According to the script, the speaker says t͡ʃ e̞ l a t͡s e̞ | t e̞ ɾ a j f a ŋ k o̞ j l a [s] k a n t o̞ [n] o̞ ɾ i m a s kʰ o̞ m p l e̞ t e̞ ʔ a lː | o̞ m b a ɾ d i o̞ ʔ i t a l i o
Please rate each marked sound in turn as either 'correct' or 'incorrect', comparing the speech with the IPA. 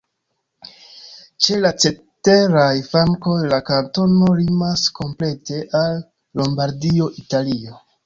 incorrect: none, correct

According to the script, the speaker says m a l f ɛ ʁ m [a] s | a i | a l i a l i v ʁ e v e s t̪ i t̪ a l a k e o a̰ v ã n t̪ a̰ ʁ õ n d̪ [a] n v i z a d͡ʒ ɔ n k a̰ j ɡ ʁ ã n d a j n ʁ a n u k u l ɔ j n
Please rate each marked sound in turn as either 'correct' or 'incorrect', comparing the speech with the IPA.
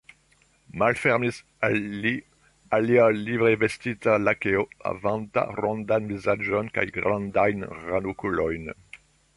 incorrect: i, correct

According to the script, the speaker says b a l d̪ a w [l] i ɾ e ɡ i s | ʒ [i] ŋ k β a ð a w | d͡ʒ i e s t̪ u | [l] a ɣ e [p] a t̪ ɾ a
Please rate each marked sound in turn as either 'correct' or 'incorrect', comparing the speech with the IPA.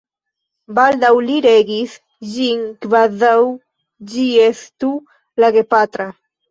correct, correct, correct, correct

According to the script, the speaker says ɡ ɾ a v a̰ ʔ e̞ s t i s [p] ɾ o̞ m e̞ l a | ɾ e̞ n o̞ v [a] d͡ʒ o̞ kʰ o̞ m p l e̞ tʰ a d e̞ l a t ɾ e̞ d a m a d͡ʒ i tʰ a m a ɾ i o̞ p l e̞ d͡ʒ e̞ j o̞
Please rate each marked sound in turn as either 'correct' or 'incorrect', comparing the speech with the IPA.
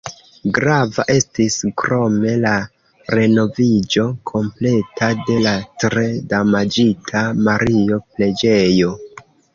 incorrect: k, incorrect: i

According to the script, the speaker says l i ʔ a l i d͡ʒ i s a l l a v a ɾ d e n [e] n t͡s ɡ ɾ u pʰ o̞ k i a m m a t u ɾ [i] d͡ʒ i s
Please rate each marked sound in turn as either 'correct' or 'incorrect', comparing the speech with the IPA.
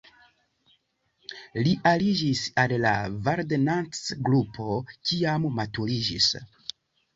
incorrect: a, correct

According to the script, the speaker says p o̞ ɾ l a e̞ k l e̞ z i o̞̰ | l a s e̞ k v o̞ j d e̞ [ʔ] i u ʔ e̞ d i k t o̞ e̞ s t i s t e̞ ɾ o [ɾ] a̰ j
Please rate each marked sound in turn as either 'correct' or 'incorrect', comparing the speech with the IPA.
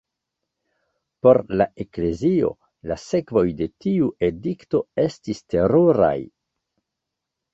incorrect: t, correct

